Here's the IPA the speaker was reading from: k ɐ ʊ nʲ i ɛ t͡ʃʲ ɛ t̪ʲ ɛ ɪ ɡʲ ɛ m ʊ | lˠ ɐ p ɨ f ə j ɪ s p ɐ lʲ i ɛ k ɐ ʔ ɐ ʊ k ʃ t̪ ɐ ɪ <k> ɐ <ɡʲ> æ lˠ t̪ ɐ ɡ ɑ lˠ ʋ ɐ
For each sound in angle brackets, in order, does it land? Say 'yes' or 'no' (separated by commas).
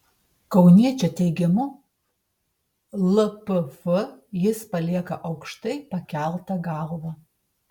no, no